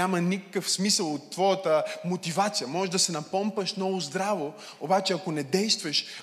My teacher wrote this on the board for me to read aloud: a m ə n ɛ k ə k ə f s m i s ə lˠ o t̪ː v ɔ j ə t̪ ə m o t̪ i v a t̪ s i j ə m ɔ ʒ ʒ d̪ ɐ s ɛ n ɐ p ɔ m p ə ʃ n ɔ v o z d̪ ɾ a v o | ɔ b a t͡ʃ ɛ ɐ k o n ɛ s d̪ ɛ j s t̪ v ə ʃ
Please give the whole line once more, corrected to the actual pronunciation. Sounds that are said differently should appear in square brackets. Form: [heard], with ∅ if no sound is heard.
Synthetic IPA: a m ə n [i] k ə k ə f s m i s ə lˠ o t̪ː v ɔ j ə t̪ ə m o t̪ i v a t̪ s i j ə m ɔ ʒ ʒ d̪ ɐ s ɛ n ɐ p ɔ m p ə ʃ n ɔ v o z d̪ ɾ a v o | [o] b a t͡ʃ ɛ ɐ k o n ɛ [∅] d̪ ɛ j s t̪ v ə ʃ